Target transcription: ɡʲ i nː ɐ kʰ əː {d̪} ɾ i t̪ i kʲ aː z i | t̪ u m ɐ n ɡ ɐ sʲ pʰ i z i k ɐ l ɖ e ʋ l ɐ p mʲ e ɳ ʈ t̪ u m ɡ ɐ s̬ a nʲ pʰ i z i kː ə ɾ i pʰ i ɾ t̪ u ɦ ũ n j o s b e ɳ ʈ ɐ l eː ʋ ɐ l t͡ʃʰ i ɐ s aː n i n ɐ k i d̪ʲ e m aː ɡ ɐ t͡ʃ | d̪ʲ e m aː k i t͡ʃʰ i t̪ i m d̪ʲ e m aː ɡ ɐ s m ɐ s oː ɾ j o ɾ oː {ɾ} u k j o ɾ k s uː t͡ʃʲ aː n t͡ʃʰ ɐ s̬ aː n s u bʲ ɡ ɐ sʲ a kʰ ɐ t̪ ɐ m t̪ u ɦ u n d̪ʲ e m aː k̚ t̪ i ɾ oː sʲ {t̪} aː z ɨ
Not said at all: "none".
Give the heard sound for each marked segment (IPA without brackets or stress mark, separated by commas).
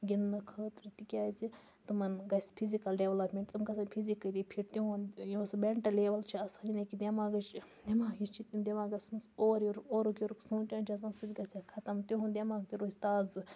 t̪, ɾ, t̪